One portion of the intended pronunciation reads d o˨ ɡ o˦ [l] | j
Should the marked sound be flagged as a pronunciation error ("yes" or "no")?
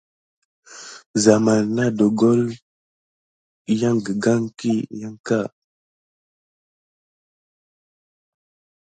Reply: no